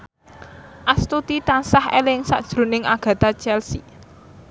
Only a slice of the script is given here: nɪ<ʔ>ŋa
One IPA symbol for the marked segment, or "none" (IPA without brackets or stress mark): none